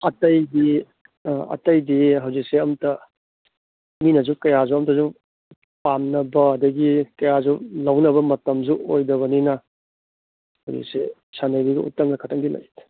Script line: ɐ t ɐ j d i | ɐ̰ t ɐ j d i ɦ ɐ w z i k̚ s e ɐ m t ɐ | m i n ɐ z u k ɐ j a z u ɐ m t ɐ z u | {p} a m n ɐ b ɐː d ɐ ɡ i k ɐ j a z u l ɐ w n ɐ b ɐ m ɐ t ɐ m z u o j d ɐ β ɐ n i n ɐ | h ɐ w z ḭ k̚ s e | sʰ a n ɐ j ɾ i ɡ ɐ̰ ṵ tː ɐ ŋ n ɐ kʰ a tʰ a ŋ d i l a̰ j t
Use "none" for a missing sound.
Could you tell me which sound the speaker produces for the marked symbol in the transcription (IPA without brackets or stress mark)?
p